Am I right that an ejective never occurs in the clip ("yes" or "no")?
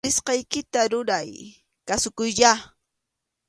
yes